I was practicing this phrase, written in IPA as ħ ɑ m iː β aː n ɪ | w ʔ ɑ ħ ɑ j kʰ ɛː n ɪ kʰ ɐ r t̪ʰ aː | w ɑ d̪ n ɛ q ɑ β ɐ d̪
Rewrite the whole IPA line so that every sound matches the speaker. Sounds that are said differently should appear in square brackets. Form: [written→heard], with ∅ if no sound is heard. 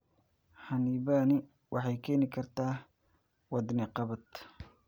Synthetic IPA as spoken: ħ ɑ [m→n] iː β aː n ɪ | w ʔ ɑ ħ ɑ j kʰ ɛː n ɪ kʰ ɐ r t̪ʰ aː | w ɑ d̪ n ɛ q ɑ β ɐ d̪